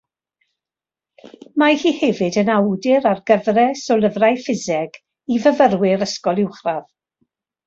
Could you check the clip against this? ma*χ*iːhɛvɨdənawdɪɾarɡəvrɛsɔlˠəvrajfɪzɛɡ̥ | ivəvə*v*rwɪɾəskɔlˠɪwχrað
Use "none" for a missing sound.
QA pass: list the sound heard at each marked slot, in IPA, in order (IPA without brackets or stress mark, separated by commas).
h, none